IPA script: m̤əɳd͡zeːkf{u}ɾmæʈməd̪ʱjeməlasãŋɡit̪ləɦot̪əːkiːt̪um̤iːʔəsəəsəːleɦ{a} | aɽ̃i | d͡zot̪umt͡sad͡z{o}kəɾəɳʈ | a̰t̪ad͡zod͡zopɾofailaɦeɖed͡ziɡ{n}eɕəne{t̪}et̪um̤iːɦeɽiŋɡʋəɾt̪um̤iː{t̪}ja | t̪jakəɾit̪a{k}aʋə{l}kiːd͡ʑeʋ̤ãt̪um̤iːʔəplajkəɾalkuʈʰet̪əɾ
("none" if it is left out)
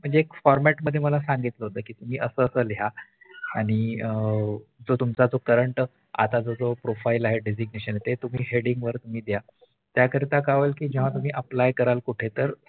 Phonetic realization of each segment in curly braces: ɔ, a, o, n, t̪, d̪, k, l

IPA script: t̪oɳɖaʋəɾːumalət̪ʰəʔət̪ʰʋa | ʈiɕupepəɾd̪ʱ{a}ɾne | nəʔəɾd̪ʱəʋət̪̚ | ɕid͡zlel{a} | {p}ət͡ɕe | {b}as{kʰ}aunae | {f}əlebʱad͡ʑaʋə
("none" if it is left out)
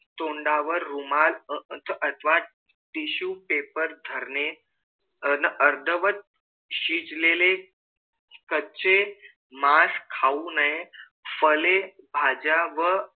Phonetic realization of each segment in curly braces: ə, e, k, m, kʰ, f

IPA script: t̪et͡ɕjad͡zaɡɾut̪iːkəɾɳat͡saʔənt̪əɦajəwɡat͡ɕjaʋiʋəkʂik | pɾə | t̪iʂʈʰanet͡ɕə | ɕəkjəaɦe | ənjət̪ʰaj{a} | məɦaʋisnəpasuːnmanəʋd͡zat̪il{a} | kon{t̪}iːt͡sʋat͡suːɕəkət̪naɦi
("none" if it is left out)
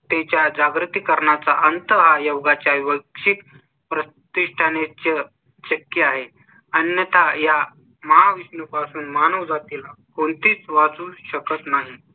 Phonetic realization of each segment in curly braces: a, a, t̪

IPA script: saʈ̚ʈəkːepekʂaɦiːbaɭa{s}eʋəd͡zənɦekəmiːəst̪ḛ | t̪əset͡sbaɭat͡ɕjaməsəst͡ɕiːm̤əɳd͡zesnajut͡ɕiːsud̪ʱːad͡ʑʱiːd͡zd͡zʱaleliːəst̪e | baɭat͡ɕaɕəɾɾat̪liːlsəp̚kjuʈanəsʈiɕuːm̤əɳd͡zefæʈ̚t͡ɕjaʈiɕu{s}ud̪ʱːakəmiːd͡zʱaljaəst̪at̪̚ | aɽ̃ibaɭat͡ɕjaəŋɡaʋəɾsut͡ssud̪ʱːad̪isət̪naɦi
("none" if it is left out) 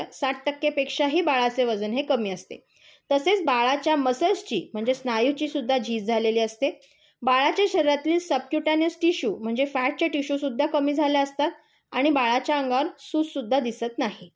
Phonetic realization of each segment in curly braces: t͡s, s

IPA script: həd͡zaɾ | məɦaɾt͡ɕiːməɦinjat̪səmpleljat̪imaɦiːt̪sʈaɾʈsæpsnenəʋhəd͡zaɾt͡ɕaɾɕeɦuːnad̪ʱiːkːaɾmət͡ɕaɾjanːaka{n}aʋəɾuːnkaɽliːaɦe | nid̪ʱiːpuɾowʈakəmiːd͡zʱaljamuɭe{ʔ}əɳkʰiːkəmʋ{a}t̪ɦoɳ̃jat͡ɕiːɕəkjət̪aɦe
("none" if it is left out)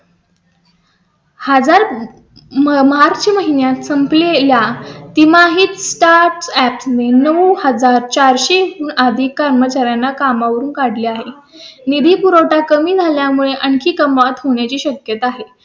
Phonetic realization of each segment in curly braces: m, ʔ, a

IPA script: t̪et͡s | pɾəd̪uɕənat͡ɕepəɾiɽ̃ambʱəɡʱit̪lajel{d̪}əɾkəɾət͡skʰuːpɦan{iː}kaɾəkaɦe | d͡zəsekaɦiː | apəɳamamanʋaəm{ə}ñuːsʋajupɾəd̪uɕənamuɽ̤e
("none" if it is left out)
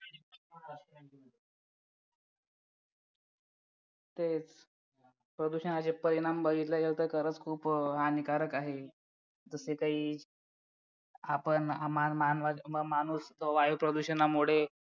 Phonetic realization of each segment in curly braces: t̪, i, a

